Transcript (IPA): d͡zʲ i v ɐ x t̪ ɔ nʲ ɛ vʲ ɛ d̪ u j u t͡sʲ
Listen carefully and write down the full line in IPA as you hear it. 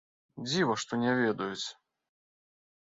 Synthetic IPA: d͡zʲ i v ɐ ʂ t̪ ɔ nʲ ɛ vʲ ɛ d̪ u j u t͡sʲ